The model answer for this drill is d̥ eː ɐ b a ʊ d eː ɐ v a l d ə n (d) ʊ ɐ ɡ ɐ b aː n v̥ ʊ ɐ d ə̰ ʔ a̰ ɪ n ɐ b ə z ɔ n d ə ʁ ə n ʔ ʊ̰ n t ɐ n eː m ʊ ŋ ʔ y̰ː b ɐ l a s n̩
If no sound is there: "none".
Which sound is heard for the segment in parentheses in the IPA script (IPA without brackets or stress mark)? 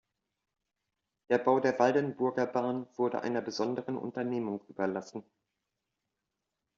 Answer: b